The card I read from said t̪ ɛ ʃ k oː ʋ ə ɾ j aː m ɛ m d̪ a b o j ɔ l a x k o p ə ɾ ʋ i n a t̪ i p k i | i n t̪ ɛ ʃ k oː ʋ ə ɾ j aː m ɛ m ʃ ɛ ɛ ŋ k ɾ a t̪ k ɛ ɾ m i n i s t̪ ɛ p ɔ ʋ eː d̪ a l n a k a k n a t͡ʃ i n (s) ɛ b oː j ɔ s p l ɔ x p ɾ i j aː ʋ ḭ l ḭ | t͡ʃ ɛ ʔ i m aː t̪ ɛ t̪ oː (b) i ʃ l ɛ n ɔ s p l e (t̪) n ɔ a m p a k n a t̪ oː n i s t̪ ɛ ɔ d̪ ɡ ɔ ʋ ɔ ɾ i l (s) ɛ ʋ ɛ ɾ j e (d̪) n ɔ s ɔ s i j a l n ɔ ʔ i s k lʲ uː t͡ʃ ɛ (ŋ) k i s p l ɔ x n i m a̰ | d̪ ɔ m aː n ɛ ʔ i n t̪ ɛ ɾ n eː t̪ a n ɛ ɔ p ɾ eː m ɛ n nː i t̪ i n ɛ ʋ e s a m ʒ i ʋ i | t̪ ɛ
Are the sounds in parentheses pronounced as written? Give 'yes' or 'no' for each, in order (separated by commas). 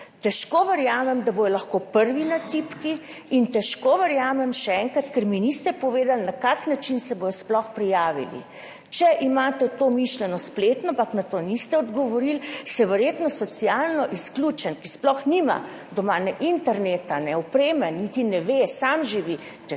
yes, no, yes, yes, no, no